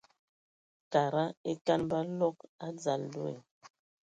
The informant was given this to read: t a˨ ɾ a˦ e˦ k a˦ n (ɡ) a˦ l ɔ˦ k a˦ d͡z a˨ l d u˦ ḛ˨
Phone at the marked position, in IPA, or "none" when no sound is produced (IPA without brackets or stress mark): b